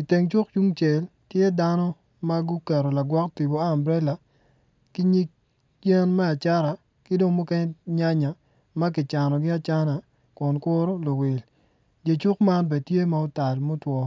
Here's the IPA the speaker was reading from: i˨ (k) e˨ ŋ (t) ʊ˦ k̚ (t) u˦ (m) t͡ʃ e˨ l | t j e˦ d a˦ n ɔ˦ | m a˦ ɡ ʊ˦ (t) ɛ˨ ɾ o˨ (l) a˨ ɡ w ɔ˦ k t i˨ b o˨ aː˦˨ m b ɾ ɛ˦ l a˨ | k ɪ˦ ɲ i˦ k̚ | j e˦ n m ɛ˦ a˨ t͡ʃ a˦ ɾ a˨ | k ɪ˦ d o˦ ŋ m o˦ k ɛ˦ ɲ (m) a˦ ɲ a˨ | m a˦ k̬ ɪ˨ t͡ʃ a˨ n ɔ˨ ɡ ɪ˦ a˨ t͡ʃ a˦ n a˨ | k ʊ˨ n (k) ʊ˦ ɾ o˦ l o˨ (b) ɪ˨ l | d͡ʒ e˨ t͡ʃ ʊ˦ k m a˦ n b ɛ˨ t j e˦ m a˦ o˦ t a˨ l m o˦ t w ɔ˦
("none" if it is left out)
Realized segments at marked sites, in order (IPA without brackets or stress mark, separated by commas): t, t͡ʃ, t͡ʃ, ŋ, k, l, ɲ, k, w